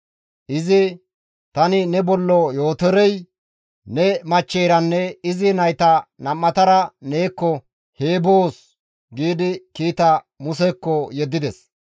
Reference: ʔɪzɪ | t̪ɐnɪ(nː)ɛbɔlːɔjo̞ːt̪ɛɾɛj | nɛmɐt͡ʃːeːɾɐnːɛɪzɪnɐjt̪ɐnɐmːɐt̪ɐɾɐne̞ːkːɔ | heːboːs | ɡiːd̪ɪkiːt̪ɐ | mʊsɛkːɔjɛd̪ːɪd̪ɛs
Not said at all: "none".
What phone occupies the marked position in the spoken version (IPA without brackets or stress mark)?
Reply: n